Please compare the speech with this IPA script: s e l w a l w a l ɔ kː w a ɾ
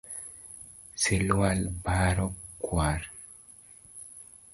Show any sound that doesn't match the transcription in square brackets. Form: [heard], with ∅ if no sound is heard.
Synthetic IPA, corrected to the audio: s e l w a l [b] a [ɾ] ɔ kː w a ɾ